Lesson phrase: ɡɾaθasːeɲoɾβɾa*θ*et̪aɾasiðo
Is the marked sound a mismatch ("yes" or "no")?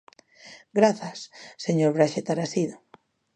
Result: yes